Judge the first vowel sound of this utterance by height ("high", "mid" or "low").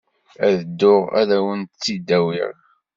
low